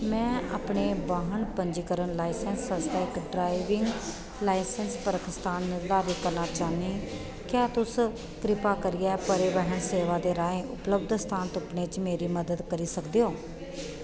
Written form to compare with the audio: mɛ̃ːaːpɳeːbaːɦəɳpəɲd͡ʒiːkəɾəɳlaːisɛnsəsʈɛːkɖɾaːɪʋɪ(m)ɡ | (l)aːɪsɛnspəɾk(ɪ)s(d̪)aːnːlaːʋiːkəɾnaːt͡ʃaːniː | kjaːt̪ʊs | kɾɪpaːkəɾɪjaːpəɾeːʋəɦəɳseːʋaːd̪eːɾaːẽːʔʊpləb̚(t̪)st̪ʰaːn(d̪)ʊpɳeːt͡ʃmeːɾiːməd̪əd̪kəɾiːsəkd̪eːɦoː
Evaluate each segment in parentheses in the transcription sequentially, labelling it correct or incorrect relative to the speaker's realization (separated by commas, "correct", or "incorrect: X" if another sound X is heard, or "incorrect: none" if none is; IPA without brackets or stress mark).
incorrect: ŋ, correct, correct, incorrect: t̪, incorrect: d̪, incorrect: t̪